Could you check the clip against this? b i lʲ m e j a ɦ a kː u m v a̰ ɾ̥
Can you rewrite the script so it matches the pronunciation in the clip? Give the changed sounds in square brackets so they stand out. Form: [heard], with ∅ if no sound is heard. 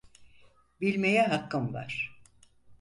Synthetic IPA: b i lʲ m e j [ɛ] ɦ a kː [ɯ] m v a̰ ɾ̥